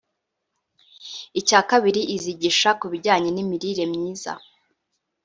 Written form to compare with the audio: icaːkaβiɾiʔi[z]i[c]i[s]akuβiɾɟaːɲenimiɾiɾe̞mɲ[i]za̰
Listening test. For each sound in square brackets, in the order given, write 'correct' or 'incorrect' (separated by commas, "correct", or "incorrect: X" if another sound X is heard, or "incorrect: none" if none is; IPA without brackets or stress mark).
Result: correct, incorrect: ɟ, incorrect: ʃ, incorrect: iː